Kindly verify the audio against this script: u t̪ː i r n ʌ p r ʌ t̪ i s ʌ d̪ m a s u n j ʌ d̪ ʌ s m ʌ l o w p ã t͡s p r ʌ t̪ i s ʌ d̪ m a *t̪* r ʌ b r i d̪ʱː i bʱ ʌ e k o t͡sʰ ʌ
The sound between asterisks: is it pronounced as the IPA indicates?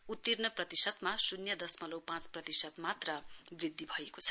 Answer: yes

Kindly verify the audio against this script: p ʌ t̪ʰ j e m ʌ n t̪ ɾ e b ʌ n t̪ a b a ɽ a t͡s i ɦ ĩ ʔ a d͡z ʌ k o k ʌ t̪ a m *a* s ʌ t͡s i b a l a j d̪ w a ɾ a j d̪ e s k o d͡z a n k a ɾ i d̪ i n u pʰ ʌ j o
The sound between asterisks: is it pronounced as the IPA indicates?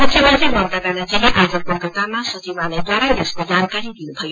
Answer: yes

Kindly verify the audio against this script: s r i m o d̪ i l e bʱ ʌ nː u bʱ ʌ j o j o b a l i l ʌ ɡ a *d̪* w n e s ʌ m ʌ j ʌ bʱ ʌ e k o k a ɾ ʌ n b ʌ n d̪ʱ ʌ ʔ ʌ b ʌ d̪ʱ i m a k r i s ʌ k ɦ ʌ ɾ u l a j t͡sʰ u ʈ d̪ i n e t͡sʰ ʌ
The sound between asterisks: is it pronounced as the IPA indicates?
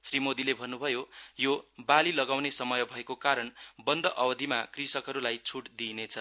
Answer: no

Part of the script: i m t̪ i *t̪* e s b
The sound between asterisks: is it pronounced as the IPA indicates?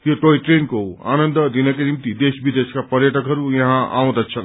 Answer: no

